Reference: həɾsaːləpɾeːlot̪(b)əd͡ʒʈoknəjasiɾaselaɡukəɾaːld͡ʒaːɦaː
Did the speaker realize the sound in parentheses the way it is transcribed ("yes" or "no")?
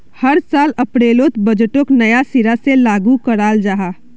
yes